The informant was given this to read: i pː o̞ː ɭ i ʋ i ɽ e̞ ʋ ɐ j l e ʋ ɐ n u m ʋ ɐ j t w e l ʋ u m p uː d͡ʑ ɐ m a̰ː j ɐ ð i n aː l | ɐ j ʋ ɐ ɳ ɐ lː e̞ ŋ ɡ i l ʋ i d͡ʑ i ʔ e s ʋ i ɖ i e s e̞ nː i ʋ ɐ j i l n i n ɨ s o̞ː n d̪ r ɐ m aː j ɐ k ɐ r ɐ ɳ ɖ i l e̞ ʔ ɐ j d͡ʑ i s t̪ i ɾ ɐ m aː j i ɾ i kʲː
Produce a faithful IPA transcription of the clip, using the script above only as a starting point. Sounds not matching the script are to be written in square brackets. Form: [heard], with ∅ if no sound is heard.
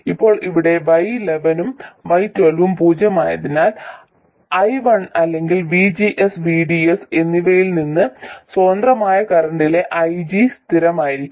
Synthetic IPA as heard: i pː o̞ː ɭ i ʋ i ɽ e̞ ʋ ɐ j l e ʋ ɐ n u m ʋ ɐ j t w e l ʋ u m p uː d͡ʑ ɐ m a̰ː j ɐ ð i n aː l | ɐ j ʋ ɐ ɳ ɐ lː e̞ ŋ ɡ i l ʋ i d͡ʑ i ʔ e s ʋ i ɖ i e s e̞ nː i ʋ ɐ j i l n i [nː] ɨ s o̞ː n d̪ r ɐ m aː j ɐ k ɐ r ɐ ɳ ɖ i l e̞ ʔ ɐ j d͡ʑ i s t̪ i ɾ ɐ m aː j i ɾ i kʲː